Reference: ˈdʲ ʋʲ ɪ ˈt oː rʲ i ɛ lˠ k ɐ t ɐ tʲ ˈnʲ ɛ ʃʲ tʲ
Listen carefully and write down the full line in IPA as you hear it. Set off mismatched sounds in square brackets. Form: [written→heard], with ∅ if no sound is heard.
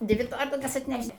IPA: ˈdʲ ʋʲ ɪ ˈt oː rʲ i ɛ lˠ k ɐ [t→s] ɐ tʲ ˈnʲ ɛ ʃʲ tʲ